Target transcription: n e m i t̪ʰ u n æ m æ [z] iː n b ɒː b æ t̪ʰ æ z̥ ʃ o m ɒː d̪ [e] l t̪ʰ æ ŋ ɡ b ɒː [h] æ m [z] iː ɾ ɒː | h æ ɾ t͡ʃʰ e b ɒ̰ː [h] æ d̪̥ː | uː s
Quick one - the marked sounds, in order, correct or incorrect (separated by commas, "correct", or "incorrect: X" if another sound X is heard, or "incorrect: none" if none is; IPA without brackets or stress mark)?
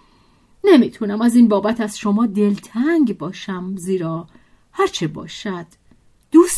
correct, correct, incorrect: ʃ, correct, incorrect: ʃ